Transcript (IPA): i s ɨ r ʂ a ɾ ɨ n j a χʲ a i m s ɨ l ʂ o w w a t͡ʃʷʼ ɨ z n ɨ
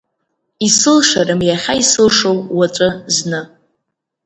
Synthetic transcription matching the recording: i s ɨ l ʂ a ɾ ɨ m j a χʲ a i s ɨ l ʂ o w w a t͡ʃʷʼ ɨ z n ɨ